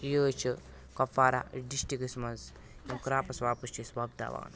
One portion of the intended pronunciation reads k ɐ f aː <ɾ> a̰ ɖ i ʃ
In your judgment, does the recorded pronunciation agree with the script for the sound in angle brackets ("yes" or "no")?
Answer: yes